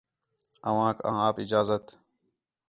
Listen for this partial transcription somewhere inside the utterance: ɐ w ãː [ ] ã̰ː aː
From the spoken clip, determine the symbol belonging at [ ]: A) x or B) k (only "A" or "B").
B